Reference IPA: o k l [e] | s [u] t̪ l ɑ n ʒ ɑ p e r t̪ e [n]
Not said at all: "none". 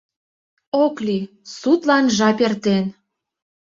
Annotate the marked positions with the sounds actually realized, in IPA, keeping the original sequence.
i, u, n

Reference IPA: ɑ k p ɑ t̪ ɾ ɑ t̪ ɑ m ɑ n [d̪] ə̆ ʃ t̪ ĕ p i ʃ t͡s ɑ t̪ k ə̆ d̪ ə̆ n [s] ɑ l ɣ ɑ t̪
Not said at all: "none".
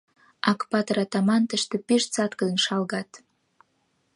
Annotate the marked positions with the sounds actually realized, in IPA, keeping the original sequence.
t̪, ʃ

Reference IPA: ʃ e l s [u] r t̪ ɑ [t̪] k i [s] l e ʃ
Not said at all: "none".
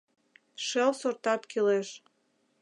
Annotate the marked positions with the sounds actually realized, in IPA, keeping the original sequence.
o, t̪, none

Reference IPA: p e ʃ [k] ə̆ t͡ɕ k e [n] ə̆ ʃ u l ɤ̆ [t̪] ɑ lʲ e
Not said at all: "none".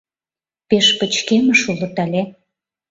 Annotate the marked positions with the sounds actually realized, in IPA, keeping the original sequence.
p, m, t̪

